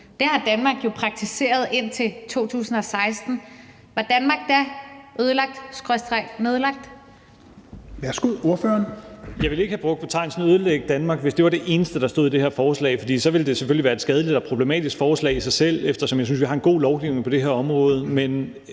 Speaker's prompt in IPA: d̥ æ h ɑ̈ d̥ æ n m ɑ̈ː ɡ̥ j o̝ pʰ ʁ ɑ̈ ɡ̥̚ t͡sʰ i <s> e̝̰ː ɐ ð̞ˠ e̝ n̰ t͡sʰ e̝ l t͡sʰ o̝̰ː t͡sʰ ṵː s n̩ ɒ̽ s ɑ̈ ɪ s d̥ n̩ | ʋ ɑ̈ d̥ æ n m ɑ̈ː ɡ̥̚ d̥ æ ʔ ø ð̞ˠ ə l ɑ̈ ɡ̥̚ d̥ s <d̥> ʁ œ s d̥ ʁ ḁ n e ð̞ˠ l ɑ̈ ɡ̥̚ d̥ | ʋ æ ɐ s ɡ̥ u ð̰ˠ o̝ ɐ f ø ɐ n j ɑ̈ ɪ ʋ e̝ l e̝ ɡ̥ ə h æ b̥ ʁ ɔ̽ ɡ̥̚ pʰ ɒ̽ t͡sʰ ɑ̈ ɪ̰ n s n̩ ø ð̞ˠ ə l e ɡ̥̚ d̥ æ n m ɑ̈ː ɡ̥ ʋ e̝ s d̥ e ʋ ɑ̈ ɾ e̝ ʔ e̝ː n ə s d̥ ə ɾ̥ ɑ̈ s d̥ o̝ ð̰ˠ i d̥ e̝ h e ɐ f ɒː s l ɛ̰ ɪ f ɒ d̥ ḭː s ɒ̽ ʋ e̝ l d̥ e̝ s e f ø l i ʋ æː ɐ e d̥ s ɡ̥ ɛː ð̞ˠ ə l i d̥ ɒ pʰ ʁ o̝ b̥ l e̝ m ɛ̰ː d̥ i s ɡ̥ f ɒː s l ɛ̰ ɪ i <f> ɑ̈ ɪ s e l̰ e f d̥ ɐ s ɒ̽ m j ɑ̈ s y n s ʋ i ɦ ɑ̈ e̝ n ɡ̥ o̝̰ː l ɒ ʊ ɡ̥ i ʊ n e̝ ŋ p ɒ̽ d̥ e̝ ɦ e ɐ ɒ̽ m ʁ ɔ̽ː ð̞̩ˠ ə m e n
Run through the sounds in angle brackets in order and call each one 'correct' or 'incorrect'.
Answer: correct, incorrect: ɡ̥, incorrect: s

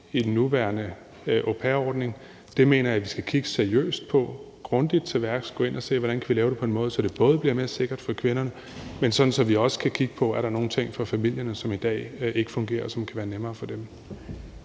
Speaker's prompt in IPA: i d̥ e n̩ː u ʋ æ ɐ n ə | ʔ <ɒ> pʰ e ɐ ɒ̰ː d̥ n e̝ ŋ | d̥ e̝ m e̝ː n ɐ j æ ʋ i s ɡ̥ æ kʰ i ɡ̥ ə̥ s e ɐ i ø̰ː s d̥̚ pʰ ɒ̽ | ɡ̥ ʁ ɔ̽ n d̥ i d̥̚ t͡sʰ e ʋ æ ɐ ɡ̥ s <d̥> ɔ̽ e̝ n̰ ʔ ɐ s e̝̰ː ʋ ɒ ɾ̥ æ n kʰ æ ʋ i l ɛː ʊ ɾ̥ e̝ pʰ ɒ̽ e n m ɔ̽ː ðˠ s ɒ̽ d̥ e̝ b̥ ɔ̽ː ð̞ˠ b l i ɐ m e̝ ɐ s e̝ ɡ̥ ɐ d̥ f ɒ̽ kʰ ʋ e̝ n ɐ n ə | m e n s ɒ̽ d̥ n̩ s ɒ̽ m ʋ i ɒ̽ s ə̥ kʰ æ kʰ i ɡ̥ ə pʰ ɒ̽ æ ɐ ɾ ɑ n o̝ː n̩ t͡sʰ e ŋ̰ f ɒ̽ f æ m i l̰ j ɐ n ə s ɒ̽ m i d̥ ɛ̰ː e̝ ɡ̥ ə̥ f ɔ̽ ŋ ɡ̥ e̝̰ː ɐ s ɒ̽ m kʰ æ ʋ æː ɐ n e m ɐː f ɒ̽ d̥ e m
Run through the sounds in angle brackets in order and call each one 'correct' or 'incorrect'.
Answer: incorrect: o, incorrect: ɡ̥

